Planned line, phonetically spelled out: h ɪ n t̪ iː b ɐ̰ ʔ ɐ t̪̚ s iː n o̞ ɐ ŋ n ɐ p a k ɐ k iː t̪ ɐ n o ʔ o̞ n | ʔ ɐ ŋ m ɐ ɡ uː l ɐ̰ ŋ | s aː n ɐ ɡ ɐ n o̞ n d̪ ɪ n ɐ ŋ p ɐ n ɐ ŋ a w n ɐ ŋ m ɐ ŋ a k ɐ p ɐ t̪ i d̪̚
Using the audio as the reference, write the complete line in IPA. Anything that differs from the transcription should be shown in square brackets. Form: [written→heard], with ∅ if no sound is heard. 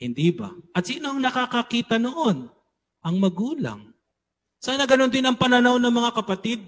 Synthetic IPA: h ɪ n [t̪→d̪] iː b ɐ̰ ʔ ɐ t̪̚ s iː n o̞ ɐ ŋ n ɐ [p→k] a k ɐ k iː t̪ ɐ n o ʔ o̞ n | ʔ ɐ ŋ m ɐ ɡ uː l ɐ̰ ŋ | s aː n ɐ ɡ ɐ n o̞ n d̪ ɪ n ɐ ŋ p ɐ n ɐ [ŋ→n] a w n ɐ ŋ m ɐ ŋ a k ɐ p ɐ t̪ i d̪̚